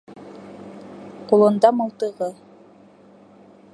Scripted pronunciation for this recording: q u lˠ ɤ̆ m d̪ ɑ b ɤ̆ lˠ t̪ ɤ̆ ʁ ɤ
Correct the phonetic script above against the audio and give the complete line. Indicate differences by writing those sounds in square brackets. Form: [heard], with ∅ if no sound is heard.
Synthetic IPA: q u lˠ ɤ̆ [n] d̪ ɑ [m] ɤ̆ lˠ t̪ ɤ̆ ʁ ɤ